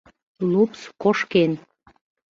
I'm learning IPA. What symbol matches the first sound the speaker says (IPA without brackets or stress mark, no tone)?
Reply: l